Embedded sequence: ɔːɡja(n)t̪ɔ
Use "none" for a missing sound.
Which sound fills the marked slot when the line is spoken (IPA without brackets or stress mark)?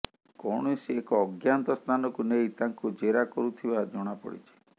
n